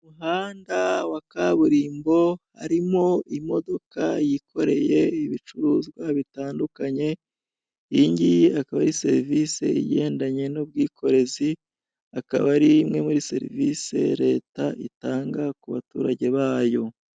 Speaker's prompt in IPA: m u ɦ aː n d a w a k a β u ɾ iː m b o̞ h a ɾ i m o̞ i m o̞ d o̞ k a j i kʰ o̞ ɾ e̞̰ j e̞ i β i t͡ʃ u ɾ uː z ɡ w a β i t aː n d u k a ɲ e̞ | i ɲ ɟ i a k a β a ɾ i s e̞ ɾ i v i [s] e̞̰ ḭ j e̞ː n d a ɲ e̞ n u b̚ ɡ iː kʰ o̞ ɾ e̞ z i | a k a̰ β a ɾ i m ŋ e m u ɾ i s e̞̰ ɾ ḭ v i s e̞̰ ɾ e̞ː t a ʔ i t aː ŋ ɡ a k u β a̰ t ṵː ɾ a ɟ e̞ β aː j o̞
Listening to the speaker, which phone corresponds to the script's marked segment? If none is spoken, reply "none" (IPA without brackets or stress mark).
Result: s